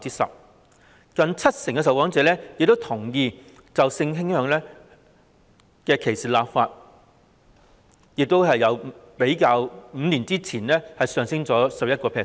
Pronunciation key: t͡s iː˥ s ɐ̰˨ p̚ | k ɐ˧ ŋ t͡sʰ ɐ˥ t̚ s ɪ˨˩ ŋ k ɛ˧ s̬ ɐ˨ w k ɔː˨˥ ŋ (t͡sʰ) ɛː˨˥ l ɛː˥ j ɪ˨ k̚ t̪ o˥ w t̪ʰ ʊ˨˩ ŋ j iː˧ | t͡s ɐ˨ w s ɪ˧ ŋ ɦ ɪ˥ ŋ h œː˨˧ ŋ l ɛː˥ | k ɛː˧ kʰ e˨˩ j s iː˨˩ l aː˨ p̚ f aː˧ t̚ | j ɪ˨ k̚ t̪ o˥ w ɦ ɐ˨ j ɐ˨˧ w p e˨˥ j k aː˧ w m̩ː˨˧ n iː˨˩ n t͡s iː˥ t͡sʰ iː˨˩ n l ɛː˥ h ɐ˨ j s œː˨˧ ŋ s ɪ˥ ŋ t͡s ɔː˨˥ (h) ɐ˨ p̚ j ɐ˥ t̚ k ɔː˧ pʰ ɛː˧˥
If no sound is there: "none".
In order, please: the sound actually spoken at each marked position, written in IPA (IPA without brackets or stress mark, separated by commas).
t͡s, s